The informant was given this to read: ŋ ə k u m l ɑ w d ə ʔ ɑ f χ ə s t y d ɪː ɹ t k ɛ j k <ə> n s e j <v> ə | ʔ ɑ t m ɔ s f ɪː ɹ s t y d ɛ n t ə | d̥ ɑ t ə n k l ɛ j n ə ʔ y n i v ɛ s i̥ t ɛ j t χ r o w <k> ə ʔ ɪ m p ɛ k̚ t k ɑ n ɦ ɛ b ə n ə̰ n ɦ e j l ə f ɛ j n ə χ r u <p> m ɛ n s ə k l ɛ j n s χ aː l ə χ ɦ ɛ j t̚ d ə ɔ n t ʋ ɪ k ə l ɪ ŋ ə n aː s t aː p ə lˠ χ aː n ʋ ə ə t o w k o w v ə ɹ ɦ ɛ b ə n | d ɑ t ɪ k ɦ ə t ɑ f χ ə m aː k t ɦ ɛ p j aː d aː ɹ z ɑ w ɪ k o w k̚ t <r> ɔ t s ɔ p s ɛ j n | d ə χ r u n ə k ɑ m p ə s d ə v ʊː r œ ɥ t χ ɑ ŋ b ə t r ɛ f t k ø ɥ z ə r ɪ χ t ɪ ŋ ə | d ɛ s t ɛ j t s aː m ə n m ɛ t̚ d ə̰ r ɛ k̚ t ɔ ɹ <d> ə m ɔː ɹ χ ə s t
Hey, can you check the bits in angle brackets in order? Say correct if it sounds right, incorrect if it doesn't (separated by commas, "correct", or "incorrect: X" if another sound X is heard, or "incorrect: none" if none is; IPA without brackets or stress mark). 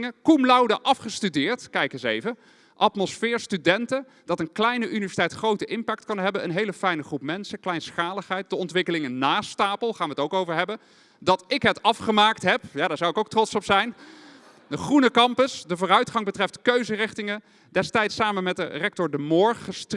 correct, correct, incorrect: t, correct, correct, correct